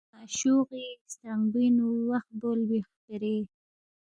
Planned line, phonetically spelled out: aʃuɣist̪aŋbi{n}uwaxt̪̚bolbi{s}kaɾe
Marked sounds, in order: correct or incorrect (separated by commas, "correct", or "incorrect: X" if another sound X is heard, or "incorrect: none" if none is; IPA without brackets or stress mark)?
correct, incorrect: x